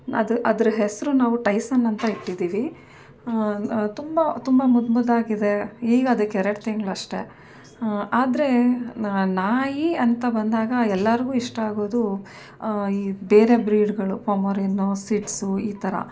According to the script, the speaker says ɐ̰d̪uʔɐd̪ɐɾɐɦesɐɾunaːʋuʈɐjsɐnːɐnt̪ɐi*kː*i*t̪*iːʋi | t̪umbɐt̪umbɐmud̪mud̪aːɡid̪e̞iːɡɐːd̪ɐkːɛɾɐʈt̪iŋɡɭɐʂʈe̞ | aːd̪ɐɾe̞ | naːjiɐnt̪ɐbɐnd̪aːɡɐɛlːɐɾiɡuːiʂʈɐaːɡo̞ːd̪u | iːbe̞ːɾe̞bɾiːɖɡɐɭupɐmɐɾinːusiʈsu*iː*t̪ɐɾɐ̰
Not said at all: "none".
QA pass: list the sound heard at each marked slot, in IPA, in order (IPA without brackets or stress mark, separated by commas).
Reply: ʈː, d̪, iː